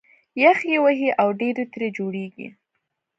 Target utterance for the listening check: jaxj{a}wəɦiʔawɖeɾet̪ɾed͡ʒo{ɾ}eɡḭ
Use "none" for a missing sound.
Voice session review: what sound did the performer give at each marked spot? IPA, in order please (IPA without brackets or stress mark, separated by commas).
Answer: e, ɽ